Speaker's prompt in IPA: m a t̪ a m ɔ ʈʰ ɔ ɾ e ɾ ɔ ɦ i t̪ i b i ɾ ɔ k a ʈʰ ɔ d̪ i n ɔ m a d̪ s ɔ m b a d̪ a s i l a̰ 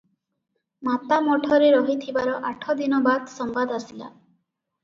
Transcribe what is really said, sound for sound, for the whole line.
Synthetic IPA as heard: m a t̪ a m ɔ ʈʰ ɔ ɾ e ɾ ɔ ɦ i t̪ʰ i b a ɾ ɔ ʔ a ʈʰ ɔ d̪ i n ɔ b a d̪ s ɔ m b a d̪ a s i l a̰